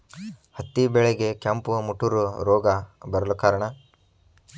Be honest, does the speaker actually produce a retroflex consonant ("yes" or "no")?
yes